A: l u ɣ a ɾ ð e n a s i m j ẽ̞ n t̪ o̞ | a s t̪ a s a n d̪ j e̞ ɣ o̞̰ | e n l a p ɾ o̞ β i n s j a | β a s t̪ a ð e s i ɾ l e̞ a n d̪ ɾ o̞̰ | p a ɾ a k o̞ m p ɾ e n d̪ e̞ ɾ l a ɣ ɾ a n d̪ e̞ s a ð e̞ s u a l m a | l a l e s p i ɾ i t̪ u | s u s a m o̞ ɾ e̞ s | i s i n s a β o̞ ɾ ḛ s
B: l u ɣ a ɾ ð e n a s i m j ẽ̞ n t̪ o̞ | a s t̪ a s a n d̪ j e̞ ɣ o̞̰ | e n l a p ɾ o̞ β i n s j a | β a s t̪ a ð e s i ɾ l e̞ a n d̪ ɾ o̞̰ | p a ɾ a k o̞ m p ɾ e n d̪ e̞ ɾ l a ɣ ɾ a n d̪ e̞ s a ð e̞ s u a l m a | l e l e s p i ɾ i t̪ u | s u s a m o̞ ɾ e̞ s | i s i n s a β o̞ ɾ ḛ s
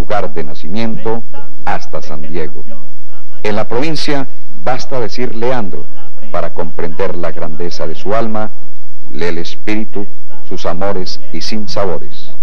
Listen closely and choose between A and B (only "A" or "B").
B